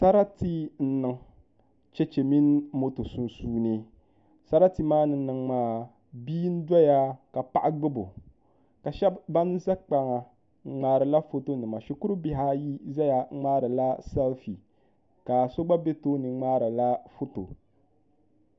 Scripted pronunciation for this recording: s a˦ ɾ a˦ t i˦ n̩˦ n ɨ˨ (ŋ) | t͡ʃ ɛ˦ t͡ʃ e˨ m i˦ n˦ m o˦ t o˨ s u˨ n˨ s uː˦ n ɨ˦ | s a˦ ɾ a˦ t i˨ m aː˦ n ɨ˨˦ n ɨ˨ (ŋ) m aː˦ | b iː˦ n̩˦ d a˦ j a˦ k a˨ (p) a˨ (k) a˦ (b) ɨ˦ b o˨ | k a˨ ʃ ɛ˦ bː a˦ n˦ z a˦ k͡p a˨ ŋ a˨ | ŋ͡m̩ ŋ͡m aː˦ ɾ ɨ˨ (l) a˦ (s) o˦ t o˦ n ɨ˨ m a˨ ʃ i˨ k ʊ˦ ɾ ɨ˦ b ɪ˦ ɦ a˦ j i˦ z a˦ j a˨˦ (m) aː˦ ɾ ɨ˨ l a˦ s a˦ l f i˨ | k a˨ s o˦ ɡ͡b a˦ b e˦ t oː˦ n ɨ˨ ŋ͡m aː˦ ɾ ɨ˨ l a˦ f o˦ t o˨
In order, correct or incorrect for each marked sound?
correct, correct, correct, incorrect: ʔ, incorrect: ɡ͡b, correct, incorrect: f, incorrect: ŋ͡m

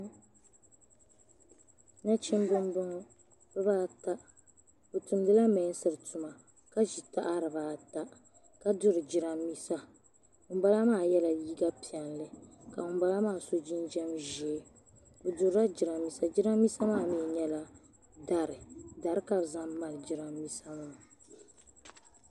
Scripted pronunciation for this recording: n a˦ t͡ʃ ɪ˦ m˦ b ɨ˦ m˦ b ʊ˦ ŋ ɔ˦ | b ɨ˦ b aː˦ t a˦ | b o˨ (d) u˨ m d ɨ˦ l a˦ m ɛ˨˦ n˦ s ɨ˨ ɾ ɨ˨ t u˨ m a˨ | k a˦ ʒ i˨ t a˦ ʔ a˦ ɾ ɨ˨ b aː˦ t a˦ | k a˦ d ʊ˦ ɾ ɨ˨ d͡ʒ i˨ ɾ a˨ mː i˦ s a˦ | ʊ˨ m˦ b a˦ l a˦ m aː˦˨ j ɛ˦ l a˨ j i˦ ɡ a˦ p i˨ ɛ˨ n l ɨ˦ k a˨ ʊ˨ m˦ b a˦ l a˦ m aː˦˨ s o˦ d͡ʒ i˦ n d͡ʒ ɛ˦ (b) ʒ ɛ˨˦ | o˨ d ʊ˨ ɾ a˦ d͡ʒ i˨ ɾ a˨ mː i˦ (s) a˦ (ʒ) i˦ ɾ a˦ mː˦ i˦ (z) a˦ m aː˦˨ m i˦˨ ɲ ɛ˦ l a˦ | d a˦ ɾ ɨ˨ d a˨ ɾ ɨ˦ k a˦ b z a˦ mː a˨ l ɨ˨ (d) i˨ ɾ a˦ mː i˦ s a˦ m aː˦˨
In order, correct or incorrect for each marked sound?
incorrect: t, incorrect: m, correct, incorrect: d͡ʒ, incorrect: s, incorrect: d͡ʒ

